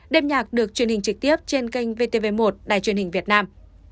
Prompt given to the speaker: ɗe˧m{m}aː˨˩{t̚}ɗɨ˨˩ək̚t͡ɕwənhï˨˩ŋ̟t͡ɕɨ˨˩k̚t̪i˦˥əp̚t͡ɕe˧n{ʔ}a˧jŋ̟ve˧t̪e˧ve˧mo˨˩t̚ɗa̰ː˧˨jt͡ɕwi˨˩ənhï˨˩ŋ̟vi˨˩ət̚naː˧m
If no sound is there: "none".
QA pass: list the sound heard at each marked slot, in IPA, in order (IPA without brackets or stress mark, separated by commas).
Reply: ɲ, k̚, k